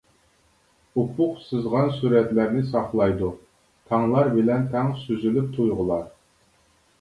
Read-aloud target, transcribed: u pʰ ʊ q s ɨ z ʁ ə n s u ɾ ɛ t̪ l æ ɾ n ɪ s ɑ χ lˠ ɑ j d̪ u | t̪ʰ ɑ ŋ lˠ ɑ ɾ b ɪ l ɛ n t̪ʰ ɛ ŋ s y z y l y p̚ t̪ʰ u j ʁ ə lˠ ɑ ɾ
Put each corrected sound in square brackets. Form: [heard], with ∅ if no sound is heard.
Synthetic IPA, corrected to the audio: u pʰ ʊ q s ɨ z ʁ [ɑ] n s u ɾ ɛ t̪ l æ ɾ n ɪ s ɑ χ lˠ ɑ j d̪ u | t̪ʰ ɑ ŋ lˠ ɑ ɾ b ɪ l ɛ n t̪ʰ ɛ ŋ s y z y l y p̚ t̪ʰ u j ʁ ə lˠ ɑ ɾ